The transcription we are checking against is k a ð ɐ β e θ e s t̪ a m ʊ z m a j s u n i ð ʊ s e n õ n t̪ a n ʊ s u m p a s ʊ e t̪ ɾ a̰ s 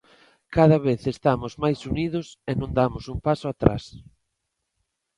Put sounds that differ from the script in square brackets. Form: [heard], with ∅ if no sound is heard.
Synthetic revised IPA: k a ð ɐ β e θ e s t̪ a m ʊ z m a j s u n i ð ʊ s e n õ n [d̪] a [m] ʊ s u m p a s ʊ [a] t̪ ɾ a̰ s